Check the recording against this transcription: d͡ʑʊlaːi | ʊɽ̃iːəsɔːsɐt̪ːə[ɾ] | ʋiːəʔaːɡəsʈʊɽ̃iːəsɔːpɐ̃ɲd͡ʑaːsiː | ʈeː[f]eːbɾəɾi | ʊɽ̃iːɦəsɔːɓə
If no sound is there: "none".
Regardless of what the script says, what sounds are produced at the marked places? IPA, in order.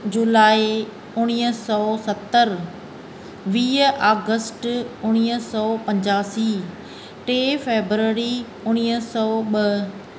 ɾ, f

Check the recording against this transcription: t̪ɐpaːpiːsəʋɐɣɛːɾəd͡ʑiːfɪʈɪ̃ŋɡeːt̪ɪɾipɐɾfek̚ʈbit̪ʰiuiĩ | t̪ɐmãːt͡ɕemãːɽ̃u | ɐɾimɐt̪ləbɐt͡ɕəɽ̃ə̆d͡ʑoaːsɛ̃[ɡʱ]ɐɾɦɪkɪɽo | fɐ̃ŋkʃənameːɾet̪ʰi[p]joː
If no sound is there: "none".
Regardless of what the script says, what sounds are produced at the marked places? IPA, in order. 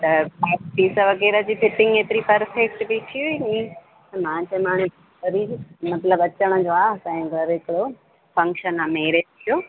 ɡʱ, none

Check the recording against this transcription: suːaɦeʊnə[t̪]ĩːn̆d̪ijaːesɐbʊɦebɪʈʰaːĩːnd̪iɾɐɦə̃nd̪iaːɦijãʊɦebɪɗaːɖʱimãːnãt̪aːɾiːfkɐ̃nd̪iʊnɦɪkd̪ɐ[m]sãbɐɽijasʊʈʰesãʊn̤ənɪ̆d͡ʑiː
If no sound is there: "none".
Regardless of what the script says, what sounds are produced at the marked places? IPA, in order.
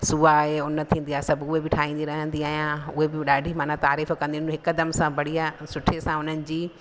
t̪ʰ, m

